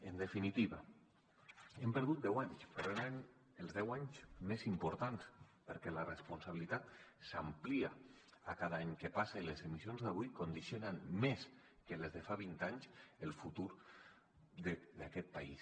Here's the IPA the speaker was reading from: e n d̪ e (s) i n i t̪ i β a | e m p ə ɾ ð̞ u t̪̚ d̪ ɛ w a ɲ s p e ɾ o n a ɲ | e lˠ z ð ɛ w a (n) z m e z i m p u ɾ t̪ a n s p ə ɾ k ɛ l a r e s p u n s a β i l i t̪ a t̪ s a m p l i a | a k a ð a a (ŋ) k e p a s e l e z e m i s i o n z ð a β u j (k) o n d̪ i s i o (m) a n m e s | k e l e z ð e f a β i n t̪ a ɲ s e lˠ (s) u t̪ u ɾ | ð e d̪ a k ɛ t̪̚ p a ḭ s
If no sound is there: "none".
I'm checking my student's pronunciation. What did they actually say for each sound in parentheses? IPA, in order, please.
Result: f, ɲ, ɲ, k, n, f

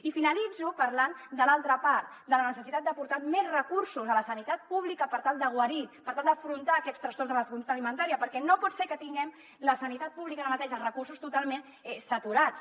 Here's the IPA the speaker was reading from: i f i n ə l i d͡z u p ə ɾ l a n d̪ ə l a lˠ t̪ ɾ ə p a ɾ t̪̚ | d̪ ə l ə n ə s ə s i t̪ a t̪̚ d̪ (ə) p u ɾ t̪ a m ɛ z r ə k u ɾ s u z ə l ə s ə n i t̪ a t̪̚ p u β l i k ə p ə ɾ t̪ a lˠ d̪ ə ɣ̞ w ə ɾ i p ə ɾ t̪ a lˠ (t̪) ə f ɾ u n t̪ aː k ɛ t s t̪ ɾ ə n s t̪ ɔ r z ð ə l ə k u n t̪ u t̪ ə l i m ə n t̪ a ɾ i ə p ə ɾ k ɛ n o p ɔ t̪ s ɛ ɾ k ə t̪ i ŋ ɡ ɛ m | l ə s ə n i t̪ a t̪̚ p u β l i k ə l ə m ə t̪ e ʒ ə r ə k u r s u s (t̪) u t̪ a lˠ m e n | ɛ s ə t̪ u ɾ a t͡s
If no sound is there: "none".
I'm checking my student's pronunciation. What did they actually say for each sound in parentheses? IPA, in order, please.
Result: ə, d̪, t̪

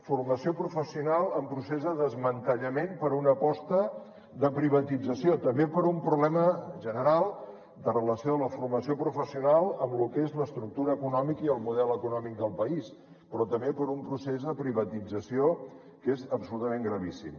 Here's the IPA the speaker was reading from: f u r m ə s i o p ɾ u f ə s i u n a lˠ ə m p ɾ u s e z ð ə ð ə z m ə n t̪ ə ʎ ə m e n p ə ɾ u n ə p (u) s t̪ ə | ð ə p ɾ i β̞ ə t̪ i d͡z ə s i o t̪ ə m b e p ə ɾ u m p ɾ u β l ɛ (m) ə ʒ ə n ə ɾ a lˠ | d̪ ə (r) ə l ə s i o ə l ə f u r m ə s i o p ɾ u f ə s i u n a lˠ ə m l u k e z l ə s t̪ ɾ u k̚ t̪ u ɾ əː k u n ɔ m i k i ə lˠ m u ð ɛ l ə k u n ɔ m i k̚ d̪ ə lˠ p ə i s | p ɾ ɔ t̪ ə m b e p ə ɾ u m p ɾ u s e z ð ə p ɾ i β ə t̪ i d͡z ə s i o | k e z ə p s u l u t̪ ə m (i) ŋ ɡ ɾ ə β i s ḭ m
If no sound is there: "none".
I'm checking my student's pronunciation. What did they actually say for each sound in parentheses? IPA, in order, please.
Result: ɔ, m, r, e

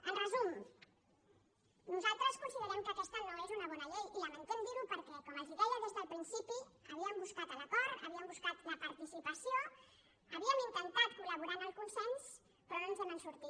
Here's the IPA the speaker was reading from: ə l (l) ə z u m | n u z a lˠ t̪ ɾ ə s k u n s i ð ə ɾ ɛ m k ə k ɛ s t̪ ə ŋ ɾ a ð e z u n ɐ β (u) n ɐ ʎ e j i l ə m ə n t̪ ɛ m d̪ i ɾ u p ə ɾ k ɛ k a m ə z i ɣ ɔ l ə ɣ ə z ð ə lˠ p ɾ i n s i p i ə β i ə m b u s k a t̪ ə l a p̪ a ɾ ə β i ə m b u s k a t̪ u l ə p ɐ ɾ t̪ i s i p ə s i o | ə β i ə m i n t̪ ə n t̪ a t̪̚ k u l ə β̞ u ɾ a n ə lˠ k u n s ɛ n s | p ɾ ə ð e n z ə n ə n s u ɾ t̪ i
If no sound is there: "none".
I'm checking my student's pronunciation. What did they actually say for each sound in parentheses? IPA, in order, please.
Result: r, ɔ

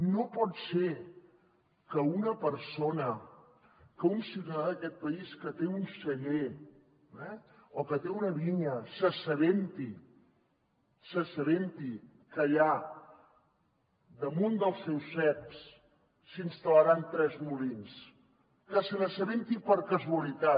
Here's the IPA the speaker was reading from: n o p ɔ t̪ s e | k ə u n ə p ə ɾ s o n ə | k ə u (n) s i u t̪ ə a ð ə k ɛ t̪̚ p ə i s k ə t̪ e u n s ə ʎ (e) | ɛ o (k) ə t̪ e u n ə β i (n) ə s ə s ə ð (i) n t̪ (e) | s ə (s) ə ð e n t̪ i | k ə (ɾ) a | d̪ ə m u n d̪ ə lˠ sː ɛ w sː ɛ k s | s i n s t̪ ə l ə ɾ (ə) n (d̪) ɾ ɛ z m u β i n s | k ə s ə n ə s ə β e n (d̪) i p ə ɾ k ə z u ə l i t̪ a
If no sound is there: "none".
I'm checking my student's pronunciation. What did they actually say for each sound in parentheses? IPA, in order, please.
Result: n, e, k, ɲ, e, i, s, ʎ, a, t̪, t̪

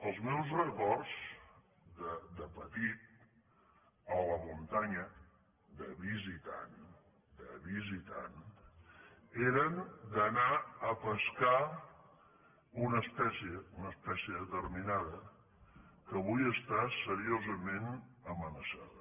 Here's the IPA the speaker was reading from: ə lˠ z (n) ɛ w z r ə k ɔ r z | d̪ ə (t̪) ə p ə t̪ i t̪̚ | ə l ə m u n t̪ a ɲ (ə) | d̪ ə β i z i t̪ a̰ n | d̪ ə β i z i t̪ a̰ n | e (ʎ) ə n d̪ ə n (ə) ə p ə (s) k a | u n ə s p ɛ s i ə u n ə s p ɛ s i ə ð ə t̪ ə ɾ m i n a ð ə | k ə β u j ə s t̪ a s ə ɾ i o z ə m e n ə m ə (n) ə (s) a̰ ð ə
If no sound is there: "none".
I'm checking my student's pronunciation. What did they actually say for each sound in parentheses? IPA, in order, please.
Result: m, d̪, ə, ɾ, a, s, n, s

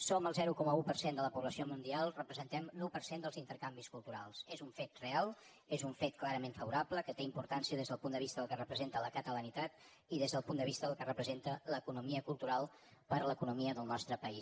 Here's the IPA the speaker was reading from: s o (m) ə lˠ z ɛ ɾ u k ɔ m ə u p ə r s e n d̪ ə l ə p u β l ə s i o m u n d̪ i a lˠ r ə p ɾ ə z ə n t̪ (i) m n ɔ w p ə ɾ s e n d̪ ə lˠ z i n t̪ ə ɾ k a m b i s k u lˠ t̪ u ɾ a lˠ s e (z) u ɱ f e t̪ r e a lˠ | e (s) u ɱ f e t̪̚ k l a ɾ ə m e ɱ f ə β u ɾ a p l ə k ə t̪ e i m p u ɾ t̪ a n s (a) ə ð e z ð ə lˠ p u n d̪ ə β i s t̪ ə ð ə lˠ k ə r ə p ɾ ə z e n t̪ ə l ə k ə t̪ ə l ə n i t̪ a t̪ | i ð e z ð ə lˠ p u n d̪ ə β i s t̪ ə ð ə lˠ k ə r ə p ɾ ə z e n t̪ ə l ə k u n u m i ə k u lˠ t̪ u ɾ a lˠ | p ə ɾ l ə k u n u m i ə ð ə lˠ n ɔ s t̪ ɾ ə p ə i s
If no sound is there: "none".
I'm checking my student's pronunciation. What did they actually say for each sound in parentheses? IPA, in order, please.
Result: m, ɛ, z, z, i

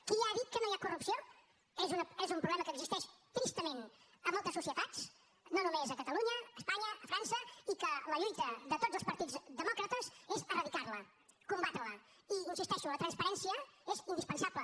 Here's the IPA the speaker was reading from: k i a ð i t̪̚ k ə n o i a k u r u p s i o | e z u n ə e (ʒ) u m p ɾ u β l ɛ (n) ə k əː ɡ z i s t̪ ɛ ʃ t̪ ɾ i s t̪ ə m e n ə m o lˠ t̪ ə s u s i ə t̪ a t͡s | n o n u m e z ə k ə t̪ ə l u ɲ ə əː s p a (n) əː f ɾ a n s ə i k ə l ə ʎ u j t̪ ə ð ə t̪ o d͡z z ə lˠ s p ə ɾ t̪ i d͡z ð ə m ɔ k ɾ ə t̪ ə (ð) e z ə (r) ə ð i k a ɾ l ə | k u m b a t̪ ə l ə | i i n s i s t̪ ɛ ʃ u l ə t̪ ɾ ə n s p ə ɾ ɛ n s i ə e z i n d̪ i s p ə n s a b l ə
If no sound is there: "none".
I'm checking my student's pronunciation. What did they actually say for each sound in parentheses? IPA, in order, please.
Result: z, m, ɲ, z, r

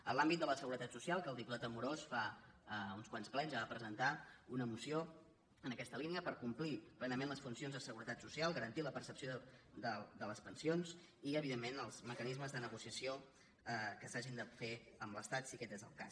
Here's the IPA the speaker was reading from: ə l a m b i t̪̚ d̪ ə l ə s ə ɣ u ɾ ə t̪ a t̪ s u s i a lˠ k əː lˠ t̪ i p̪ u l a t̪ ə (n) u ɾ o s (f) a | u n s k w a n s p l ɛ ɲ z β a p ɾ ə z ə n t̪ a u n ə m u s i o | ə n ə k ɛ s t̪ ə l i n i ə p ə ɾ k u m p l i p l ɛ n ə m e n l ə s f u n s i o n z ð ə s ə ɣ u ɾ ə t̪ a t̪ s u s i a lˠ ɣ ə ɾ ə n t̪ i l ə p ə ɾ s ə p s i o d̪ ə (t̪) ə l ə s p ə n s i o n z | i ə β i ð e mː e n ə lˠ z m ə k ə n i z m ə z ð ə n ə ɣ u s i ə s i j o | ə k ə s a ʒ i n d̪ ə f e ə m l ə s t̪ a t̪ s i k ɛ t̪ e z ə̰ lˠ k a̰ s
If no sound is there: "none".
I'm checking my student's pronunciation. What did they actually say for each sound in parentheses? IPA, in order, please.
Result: m, f, d̪

